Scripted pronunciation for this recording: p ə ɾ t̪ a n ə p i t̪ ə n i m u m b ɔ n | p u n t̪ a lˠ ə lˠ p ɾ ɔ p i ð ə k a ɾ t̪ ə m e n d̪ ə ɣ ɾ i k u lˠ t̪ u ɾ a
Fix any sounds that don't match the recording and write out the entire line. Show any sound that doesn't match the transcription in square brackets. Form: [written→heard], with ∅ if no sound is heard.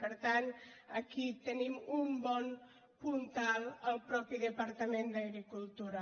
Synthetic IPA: p ə ɾ t̪ a n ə [p→k] i t̪ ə n i m u m b ɔ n | p u n t̪ a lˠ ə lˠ p ɾ ɔ p i ð ə [k→p] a ɾ t̪ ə m e n d̪ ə ɣ ɾ i k u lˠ t̪ u ɾ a